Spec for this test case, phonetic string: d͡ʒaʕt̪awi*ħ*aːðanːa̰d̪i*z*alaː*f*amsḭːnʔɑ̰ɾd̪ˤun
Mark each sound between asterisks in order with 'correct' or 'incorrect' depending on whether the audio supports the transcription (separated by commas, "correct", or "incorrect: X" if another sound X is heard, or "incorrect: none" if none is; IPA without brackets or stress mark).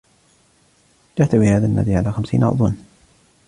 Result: incorrect: h, incorrect: ʕ, incorrect: x